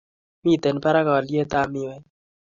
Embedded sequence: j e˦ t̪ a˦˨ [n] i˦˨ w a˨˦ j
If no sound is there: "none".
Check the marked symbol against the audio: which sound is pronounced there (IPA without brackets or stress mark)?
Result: m